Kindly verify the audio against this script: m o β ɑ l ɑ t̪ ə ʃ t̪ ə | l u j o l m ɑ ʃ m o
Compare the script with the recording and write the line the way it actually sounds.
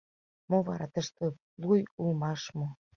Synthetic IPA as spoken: m o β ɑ ɾ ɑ t̪ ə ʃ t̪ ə | l u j u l m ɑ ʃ m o

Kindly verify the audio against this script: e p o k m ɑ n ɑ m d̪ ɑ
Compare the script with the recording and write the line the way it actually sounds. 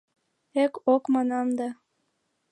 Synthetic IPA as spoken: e k o k m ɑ n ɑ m d̪ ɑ

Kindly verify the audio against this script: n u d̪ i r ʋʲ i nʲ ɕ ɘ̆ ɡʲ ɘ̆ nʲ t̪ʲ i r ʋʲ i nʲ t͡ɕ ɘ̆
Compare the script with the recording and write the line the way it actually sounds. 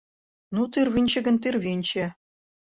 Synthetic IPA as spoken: n u t̪ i r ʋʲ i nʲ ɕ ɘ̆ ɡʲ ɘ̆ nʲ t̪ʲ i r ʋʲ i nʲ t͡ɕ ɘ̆

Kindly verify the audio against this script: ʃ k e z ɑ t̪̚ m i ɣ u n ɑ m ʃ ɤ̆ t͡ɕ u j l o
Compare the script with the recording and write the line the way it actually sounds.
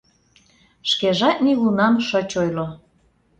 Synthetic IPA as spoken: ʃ k e ʒ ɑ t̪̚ n i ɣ u n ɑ m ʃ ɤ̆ t͡ɕ o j l o

